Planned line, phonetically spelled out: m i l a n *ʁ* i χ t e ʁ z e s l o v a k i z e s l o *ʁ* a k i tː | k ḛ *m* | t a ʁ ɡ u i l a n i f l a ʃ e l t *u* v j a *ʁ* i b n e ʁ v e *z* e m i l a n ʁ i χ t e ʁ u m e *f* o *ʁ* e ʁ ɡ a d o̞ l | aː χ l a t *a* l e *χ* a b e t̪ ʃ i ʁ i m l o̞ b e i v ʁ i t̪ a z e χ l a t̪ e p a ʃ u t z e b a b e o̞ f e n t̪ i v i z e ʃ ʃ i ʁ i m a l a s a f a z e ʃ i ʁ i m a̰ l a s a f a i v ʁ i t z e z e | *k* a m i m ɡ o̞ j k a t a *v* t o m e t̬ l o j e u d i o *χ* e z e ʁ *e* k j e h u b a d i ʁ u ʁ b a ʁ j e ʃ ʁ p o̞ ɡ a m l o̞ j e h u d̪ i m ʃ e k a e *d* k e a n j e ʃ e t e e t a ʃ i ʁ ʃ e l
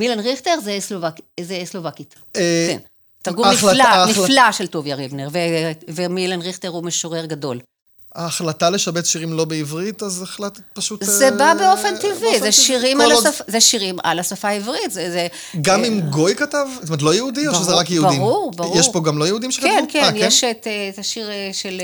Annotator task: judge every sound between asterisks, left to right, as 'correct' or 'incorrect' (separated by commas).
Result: correct, incorrect, incorrect, incorrect, correct, incorrect, incorrect, correct, correct, incorrect, incorrect, correct, incorrect, incorrect, incorrect